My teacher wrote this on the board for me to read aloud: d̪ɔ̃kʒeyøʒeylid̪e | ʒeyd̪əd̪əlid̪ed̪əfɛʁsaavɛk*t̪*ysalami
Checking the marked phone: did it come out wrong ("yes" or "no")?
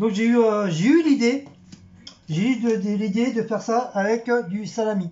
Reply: yes